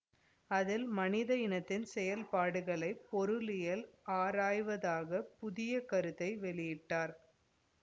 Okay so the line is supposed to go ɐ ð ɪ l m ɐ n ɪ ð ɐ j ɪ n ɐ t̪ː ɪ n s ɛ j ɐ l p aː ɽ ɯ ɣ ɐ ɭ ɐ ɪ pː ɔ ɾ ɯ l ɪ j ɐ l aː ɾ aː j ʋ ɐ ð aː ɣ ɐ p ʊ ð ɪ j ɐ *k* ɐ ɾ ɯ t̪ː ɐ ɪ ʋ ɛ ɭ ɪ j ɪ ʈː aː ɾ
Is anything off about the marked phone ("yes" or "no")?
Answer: no